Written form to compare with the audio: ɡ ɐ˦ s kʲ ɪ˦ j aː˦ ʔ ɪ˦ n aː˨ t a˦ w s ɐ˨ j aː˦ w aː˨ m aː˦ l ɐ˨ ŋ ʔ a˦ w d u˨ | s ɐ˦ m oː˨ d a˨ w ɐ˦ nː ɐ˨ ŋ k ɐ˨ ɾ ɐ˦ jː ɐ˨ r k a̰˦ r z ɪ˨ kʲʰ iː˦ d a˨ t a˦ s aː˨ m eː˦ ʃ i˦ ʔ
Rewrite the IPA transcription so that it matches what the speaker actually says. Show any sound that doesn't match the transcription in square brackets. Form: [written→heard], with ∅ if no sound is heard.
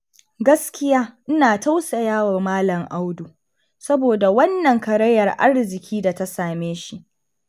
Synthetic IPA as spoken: ɡ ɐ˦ s kʲ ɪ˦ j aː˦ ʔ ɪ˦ n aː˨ t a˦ w s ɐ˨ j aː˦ w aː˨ m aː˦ l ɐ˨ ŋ ʔ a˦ w d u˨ | s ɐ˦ [m→b] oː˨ d a˨ w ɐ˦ nː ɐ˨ ŋ k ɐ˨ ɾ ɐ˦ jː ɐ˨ r [k→ʔ] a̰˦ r z ɪ˨ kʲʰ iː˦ d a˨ t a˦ s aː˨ m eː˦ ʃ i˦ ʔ